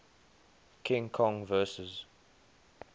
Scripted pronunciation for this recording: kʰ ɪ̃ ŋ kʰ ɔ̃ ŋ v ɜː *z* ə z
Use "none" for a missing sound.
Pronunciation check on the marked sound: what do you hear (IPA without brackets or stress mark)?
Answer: s